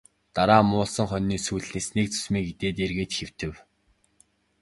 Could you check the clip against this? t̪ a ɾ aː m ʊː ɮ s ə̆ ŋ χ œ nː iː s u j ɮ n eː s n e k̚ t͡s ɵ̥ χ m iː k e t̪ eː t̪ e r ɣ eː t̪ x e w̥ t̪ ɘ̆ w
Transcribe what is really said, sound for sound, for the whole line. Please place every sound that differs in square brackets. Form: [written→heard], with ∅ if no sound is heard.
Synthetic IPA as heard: t̪ a ɾ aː m ʊː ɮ s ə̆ ŋ χ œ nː iː s u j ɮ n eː s n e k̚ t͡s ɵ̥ [χ→s] m iː k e t̪ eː t̪ e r ɣ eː t̪ x e w̥ t̪ ɘ̆ w